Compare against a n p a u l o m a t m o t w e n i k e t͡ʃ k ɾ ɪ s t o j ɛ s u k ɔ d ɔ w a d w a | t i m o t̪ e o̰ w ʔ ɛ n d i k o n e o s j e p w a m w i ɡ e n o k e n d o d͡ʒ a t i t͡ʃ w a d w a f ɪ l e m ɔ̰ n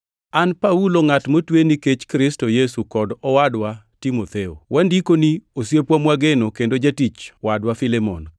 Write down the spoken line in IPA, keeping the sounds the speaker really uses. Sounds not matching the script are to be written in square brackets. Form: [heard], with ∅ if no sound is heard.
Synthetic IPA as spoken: a n p a u l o [ŋ] a t m o t w e n i k e t͡ʃ k ɾ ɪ s t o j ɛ s u k ɔ d ɔ w a d w a | t i m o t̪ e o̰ w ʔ [a] n d i k o n [i] o s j e p w a m w [a] ɡ e n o k e n d o d͡ʒ a t i t͡ʃ w a d w a f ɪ l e m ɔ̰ n